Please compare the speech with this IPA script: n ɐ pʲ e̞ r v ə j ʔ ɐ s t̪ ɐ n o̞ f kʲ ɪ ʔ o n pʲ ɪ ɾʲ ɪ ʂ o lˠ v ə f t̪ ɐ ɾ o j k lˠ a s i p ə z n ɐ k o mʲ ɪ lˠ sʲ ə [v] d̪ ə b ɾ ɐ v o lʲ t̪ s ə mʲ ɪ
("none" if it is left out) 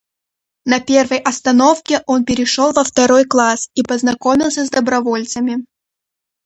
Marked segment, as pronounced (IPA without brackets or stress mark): z